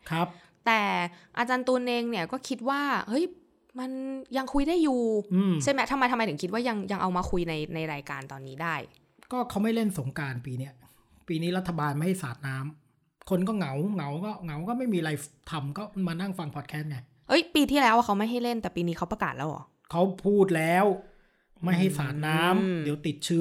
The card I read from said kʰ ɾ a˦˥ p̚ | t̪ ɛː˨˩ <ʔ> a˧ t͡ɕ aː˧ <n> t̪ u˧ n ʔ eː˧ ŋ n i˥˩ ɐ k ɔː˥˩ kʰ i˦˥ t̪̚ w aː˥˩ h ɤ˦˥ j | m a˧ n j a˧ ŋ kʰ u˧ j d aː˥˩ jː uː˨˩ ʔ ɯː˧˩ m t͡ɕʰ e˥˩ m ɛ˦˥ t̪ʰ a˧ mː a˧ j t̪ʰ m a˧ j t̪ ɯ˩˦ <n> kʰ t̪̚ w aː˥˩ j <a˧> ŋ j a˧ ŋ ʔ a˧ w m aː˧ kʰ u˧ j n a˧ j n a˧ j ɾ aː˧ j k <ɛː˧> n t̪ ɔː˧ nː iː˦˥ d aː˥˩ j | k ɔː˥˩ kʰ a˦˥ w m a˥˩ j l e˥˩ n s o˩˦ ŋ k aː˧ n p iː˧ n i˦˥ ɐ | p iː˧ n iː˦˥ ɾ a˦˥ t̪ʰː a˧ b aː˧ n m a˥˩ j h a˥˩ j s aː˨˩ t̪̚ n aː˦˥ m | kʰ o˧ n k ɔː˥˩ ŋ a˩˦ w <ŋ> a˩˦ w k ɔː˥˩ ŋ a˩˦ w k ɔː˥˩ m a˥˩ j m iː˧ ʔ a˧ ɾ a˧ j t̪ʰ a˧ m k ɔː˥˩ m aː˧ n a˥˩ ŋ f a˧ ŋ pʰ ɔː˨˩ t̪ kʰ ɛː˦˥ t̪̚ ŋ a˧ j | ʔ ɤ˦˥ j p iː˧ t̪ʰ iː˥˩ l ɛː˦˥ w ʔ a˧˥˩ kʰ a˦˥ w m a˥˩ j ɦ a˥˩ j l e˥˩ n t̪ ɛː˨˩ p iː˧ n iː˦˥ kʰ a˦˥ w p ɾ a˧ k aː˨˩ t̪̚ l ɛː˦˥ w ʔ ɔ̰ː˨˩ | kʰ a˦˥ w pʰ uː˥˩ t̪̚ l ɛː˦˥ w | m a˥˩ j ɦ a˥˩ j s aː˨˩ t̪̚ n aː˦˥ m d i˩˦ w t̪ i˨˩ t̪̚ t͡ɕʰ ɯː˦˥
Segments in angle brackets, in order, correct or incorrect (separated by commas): correct, correct, incorrect, correct, incorrect, correct